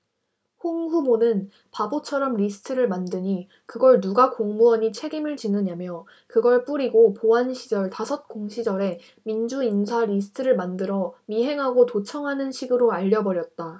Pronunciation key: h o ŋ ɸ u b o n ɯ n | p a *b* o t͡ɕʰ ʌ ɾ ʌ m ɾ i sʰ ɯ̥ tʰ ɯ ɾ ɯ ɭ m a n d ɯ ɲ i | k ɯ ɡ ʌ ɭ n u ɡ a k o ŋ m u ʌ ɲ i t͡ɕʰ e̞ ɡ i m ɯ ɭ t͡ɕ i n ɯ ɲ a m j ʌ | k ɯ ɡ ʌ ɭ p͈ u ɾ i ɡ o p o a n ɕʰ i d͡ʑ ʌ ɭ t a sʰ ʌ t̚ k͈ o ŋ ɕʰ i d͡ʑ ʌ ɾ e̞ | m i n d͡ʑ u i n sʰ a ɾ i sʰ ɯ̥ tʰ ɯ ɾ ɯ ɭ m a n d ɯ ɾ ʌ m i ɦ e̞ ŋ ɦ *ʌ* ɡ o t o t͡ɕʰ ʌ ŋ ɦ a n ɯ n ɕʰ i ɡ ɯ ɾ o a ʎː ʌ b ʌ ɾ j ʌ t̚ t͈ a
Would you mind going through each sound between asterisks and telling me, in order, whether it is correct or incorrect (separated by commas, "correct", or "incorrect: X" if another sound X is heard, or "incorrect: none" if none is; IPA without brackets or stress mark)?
correct, incorrect: a